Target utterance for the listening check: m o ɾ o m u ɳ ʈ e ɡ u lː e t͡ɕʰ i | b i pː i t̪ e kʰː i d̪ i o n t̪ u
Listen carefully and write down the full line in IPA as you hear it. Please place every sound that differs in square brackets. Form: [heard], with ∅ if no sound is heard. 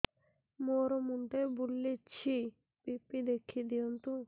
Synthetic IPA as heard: m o ɾ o m u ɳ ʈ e [b] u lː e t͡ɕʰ i | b i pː i [d̪] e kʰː i d̪ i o n t̪ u